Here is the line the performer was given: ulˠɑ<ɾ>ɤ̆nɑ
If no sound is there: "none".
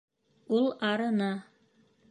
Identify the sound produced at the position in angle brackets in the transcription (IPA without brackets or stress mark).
ɾ